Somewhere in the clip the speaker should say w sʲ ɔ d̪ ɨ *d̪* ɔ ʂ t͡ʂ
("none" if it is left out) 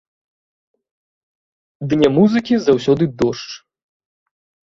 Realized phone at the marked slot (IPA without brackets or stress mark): d̪